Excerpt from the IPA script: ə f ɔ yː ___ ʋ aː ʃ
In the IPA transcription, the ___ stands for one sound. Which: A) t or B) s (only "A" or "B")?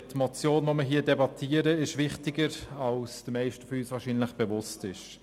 B